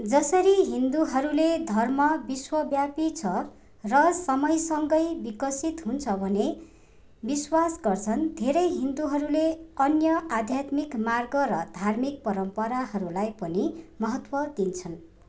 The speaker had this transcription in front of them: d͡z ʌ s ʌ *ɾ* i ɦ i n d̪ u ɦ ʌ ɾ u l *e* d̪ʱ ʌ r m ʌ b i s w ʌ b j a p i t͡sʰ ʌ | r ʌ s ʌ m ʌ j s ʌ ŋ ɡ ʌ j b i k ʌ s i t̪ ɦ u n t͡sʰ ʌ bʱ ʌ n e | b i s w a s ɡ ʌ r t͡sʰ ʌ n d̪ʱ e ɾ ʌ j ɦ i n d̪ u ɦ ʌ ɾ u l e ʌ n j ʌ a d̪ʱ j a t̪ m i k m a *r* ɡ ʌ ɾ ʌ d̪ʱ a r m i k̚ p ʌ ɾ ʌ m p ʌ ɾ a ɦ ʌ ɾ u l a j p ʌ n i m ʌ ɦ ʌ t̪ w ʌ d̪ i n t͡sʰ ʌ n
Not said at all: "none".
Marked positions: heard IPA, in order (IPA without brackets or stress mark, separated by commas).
ɾ, e, r